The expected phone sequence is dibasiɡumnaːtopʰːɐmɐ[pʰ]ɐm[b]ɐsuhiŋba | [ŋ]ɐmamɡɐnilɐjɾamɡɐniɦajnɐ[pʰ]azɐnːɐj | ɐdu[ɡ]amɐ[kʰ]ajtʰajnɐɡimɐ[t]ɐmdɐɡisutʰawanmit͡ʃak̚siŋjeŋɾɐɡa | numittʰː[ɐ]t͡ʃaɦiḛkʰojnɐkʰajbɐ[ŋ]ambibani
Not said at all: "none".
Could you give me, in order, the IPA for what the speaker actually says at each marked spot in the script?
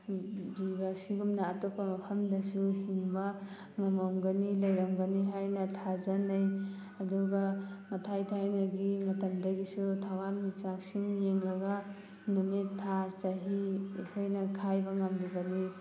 pʰ, d, ŋ, tʰ, ɡ, tʰ, t, a, ŋ

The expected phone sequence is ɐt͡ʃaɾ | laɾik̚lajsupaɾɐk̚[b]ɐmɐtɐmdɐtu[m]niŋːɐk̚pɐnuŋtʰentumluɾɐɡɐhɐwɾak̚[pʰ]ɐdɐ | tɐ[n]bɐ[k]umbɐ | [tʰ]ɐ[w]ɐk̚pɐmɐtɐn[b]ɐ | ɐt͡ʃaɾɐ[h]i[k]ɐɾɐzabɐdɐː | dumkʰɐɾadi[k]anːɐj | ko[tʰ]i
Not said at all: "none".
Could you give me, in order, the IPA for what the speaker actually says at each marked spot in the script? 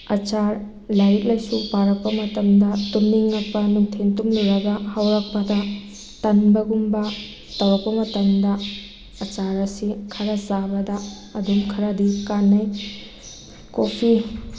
p, m, p, n, ɡ, t, w, d, s, kʰ, k, pʰ

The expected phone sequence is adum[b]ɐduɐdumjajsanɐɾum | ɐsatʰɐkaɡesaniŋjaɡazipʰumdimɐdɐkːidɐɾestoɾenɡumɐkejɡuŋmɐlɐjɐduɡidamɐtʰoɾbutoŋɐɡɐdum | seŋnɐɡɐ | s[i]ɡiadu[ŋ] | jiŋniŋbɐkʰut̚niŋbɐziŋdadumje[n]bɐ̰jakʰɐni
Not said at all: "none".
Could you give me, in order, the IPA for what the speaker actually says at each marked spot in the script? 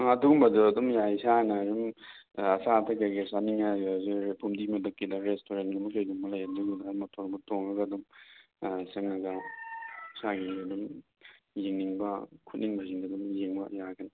b, a, m, ŋ

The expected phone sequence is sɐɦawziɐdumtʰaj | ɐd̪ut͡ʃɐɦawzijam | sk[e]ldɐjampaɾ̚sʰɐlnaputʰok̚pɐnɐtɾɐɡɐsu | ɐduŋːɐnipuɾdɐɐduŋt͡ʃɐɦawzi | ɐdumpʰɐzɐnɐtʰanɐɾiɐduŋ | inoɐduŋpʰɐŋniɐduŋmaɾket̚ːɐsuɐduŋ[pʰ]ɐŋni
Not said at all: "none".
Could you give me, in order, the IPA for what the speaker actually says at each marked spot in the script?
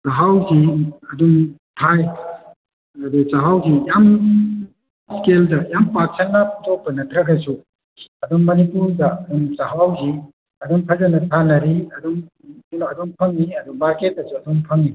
e, pʰ

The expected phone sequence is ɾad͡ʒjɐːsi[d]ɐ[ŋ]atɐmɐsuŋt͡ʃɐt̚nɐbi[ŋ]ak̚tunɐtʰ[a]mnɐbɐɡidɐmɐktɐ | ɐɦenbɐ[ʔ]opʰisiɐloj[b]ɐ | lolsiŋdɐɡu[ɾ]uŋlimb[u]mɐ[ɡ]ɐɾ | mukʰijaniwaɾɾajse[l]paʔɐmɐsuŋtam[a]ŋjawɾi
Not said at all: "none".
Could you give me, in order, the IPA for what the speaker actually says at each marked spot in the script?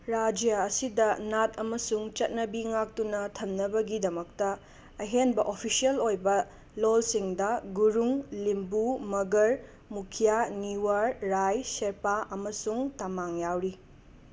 d, n, ŋ, ɐ, ʔ, b, ɾ, u, ɡ, ɾ, a

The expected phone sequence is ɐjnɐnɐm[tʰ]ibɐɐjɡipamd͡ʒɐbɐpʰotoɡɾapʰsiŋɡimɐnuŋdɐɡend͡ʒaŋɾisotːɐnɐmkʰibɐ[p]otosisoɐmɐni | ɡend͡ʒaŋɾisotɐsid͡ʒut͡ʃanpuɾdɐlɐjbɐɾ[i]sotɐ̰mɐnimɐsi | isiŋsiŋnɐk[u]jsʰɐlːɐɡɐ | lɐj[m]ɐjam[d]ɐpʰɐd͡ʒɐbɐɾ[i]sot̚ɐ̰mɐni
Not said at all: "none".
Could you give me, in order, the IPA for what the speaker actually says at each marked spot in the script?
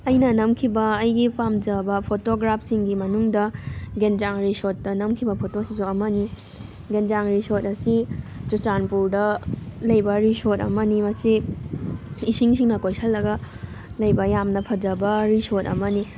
kʰ, pʰ, i, o, b, n, i

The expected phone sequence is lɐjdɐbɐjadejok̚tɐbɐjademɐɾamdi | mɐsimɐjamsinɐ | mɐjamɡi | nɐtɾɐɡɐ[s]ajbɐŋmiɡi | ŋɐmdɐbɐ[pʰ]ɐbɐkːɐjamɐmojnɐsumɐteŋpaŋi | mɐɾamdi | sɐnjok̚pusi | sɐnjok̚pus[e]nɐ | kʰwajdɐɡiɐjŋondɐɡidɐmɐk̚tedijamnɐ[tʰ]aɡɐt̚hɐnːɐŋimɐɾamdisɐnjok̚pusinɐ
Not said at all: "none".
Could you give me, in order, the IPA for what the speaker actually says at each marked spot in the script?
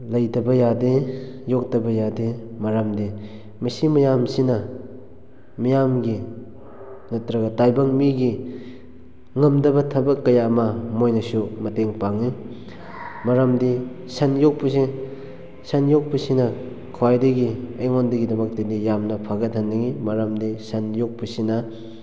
t, tʰ, i, pʰ

